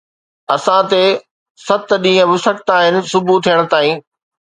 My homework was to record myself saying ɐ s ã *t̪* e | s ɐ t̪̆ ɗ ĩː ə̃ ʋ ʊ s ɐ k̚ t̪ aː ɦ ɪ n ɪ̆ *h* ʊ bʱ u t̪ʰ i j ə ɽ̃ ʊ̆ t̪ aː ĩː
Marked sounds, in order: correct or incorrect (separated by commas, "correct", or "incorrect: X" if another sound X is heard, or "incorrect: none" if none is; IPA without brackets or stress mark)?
correct, incorrect: s